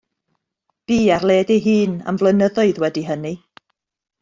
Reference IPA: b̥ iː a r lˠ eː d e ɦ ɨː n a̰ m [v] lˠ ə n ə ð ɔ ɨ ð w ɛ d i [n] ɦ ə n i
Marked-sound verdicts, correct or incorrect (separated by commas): correct, incorrect